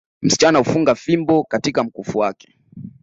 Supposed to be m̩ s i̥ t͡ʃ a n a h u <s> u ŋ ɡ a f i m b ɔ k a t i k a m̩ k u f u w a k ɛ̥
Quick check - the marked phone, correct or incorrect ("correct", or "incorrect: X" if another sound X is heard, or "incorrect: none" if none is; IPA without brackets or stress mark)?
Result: incorrect: f